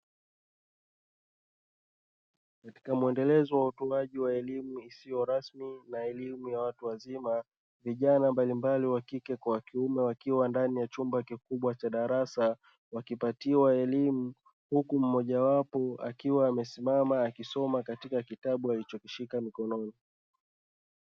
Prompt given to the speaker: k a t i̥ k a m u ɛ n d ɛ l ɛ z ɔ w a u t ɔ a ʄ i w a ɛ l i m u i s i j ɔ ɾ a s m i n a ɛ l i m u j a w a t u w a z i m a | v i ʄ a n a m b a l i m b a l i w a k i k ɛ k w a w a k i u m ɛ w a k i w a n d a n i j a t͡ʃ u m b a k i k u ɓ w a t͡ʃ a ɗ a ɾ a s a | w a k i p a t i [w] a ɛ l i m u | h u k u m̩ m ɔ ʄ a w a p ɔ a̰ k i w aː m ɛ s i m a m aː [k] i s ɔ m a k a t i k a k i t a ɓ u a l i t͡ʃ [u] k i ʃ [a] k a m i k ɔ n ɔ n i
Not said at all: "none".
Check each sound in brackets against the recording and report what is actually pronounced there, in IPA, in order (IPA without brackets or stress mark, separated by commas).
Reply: w, k, ɔ, i